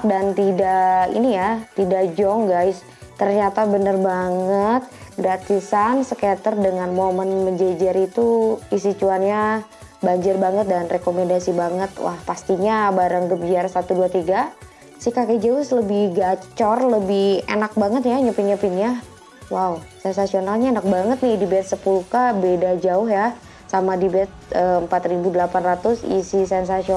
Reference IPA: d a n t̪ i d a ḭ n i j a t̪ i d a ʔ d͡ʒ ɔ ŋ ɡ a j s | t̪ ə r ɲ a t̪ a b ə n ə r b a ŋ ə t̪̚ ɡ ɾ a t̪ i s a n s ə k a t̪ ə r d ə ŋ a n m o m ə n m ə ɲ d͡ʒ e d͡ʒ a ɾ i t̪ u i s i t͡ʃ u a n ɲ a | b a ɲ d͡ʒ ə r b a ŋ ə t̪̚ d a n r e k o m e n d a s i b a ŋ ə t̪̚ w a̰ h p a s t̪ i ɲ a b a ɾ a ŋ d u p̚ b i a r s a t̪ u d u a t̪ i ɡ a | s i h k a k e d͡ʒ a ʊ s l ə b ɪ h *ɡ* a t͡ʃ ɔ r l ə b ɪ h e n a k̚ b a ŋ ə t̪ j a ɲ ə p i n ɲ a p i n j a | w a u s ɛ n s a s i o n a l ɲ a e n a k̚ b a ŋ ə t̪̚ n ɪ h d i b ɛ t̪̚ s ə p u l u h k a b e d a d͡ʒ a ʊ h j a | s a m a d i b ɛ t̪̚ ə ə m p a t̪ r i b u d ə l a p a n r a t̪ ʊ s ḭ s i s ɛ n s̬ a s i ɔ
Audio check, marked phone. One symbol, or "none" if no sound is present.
ɡ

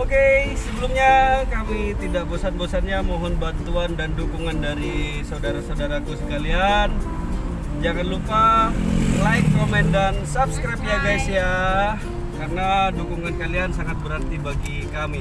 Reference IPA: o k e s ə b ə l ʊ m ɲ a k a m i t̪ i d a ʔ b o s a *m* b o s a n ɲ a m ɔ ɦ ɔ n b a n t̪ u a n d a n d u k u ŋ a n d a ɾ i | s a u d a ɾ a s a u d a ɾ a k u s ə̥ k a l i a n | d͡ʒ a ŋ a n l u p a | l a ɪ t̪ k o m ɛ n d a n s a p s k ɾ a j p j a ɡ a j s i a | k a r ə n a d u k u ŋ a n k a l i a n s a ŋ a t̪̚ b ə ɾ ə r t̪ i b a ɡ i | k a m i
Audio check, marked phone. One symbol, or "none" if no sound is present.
n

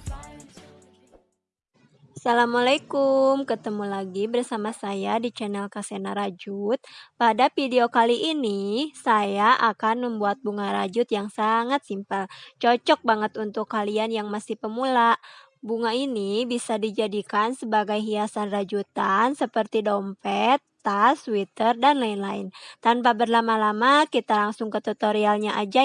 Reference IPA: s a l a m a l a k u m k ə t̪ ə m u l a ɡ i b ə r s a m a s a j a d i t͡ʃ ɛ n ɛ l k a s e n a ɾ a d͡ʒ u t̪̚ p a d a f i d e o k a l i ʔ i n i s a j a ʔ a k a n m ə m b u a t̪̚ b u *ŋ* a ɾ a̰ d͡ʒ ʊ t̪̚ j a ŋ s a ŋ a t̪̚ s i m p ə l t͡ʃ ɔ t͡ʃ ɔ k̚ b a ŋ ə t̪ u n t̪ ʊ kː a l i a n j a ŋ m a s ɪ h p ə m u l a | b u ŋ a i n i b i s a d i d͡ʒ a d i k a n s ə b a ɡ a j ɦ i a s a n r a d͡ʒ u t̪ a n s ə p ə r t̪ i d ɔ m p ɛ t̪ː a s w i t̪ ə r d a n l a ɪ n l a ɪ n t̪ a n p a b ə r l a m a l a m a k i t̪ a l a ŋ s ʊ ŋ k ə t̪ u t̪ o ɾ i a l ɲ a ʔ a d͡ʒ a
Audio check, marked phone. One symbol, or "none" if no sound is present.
ŋ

